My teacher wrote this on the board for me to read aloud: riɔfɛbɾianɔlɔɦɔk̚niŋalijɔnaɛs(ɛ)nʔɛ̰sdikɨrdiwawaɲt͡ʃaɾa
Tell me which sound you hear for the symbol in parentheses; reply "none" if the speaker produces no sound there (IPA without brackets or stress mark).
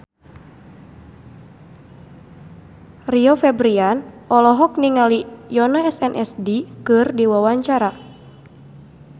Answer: ɛ